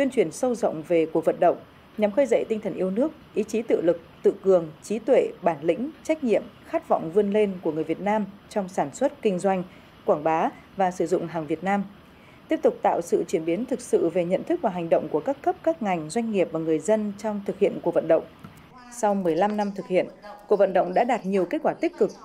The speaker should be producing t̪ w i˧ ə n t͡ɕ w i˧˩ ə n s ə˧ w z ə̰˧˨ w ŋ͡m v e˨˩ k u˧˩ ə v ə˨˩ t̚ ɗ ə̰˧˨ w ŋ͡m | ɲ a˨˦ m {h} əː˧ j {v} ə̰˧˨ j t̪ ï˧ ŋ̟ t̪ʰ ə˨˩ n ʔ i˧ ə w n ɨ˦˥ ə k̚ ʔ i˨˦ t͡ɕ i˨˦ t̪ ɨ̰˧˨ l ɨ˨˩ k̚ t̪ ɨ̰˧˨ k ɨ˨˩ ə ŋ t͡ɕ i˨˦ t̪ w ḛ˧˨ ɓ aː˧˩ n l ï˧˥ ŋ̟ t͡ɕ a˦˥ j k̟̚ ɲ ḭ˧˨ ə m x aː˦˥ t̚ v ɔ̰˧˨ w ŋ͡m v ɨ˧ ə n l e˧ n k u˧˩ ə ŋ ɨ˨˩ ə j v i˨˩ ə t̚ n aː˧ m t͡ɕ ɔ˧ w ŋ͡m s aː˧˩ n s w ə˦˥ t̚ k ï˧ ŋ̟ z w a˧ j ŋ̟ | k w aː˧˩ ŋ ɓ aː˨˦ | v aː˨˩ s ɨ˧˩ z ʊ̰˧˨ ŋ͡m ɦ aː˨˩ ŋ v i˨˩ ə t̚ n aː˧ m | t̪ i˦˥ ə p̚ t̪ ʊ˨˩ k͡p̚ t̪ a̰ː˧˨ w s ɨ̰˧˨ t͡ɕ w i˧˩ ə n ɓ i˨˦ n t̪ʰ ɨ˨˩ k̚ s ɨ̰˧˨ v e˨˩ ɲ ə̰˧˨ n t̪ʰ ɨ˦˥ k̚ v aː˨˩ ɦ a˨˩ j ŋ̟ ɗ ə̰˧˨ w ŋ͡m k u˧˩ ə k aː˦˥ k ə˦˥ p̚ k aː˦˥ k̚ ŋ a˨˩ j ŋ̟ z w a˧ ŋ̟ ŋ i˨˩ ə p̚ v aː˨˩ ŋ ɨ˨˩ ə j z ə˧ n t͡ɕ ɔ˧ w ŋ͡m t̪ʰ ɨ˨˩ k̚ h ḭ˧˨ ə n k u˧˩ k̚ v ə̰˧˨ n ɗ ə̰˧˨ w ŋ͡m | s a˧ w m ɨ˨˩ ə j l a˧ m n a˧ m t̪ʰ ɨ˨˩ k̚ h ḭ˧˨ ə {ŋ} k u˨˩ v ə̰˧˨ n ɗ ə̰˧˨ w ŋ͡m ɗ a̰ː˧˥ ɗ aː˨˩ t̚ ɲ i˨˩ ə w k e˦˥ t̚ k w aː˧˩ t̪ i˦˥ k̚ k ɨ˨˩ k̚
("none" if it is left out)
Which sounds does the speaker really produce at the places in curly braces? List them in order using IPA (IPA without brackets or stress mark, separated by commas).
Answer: x, z, n